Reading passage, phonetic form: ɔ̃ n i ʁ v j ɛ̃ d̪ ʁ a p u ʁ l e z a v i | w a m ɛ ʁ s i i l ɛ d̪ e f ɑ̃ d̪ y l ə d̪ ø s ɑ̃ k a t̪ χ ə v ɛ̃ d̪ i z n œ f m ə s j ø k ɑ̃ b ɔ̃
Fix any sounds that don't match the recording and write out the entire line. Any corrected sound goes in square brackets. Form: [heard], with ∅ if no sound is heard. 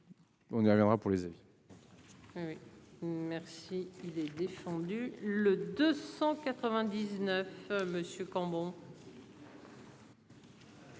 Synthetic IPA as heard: ɔ̃ n i ʁ v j ɛ̃ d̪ ʁ a p u ʁ l e z a v i | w [i] m ɛ ʁ s i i l ɛ d̪ e f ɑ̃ d̪ y l ə d̪ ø s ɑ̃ k a t̪ χ ə v ɛ̃ d̪ i z n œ f m ə s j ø k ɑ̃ b ɔ̃

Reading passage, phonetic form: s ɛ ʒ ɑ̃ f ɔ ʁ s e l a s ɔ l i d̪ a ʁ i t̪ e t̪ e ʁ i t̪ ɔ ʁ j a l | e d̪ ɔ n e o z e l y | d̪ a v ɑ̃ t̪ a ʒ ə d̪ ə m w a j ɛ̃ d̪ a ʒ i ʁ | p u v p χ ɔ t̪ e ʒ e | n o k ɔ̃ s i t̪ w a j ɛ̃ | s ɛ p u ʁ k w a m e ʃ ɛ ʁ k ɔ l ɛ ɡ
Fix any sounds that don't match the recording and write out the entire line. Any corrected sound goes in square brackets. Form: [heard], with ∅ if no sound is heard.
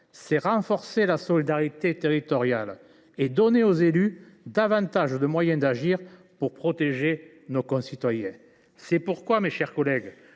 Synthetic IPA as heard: s ɛ [ʁ] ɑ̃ f ɔ ʁ s e l a s ɔ l i d̪ a ʁ i t̪ e t̪ e ʁ i t̪ ɔ ʁ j a l | e d̪ ɔ n e o z e l y | d̪ a v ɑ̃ t̪ a ʒ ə d̪ ə m w a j ɛ̃ d̪ a ʒ i ʁ | p u [ʁ] p χ ɔ t̪ e ʒ e | n o k ɔ̃ s i t̪ w a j ɛ̃ | s ɛ p u ʁ k w a m e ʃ ɛ ʁ k ɔ l ɛ ɡ

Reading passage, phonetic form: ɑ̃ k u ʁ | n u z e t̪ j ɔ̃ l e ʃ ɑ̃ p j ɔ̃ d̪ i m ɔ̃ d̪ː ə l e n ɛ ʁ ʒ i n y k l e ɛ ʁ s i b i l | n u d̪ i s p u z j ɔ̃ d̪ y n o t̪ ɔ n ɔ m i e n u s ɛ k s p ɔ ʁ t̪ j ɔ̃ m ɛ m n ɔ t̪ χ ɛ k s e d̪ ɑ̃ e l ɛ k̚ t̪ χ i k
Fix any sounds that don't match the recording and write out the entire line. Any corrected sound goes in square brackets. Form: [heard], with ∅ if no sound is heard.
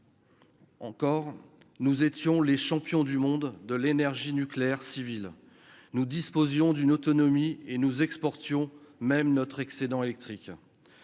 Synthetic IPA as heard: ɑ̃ k [ɔ] ʁ | n u z e t̪ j ɔ̃ l e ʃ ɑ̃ p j ɔ̃ d̪ [y] m ɔ̃ d̪ː ə l e n ɛ ʁ ʒ i n y k l e ɛ ʁ s i [v] i l | n u d̪ i s p [o] z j ɔ̃ d̪ y n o t̪ ɔ n ɔ m i e n u [z] ɛ k s p ɔ ʁ t̪ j ɔ̃ m ɛ m n ɔ t̪ χ ɛ k s e d̪ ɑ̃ e l ɛ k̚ t̪ χ i k

